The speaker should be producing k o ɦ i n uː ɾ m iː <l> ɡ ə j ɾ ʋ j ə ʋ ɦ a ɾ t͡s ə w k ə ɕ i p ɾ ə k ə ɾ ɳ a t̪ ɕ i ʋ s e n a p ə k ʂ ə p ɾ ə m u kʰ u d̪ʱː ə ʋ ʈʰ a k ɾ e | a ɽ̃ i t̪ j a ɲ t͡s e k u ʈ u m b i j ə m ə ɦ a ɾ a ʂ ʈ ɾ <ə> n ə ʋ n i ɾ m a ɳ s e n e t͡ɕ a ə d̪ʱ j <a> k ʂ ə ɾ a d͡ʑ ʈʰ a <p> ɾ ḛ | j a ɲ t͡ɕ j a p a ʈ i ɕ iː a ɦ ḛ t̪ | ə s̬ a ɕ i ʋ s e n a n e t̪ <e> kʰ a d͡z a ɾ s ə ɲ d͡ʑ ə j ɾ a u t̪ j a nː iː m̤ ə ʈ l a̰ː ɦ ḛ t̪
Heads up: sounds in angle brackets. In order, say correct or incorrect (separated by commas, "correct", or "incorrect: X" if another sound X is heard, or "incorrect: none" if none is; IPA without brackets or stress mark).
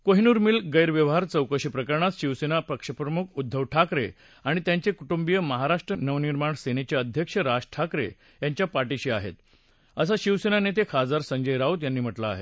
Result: correct, correct, incorrect: ə, incorrect: k, correct